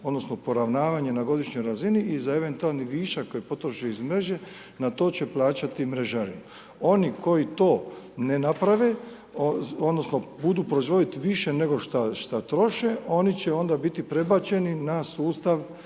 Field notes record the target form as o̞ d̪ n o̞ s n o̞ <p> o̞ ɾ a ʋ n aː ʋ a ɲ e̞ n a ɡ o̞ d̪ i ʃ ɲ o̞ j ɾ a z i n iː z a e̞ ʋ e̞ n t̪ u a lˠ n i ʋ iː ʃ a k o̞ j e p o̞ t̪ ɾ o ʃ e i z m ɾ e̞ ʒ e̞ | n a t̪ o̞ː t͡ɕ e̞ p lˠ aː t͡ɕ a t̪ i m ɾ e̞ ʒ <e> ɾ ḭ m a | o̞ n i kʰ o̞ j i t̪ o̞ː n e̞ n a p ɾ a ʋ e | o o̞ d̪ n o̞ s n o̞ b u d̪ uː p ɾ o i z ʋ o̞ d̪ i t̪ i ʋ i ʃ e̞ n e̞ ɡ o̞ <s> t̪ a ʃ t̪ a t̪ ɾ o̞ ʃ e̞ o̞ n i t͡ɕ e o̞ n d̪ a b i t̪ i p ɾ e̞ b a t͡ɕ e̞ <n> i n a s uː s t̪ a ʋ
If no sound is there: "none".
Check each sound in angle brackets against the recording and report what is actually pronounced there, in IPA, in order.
p, a, ʃ, n

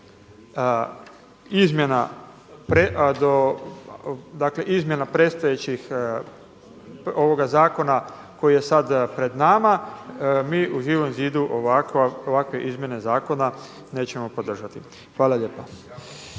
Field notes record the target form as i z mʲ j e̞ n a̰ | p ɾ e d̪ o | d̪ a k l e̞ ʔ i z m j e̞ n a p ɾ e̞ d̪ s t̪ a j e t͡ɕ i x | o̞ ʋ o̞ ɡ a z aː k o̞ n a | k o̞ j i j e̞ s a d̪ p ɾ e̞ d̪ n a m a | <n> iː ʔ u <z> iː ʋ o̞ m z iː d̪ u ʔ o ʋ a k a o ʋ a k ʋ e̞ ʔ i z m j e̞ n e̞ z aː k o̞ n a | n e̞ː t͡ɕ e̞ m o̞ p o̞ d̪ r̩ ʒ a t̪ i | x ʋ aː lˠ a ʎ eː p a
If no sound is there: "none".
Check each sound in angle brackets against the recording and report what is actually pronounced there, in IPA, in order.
m, ʒ

